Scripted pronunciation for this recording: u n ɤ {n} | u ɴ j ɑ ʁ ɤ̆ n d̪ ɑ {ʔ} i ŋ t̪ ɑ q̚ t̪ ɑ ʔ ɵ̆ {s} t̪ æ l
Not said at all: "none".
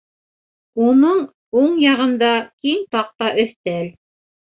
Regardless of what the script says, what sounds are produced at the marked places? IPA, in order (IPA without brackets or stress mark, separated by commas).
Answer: ɴ, k, θ